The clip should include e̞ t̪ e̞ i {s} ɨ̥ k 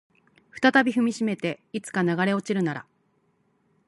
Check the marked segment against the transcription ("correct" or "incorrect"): incorrect